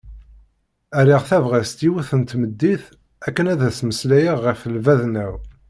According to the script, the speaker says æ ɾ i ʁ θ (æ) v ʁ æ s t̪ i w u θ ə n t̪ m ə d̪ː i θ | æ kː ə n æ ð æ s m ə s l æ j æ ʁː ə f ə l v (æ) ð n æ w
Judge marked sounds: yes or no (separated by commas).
yes, yes